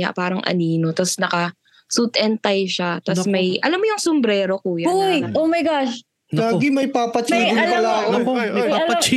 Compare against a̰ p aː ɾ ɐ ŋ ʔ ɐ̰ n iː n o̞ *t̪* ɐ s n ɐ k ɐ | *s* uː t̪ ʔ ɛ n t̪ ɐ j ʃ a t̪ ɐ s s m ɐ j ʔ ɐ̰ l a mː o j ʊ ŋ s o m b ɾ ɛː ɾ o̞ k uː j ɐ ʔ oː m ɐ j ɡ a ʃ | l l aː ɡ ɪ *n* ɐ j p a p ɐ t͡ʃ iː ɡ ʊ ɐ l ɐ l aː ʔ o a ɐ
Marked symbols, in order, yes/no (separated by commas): yes, yes, no